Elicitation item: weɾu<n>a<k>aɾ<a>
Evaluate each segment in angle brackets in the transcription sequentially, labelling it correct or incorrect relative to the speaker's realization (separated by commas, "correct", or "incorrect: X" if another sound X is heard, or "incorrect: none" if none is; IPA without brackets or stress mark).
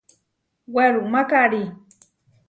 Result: incorrect: m, correct, incorrect: i